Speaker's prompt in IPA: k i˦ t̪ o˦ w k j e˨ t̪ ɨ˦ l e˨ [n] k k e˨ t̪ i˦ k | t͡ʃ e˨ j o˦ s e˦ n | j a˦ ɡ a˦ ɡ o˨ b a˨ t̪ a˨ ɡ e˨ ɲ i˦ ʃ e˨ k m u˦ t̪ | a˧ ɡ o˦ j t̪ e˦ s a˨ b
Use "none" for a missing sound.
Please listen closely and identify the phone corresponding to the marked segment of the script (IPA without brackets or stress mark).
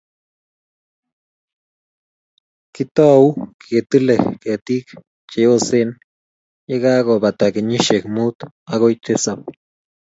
none